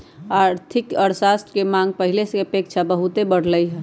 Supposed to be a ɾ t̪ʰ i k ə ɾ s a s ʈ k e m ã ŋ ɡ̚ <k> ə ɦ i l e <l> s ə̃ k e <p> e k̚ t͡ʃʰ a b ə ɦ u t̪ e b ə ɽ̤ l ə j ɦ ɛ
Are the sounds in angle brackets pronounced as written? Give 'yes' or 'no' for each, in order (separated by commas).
no, no, yes